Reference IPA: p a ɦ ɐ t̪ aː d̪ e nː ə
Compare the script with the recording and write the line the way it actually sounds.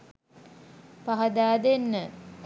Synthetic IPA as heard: p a ɦ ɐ d̪ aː d̪ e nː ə